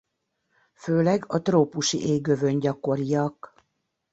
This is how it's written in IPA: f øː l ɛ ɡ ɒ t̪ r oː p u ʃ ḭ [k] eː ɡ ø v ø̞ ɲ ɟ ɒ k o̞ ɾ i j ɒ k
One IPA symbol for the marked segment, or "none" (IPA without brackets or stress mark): ʔ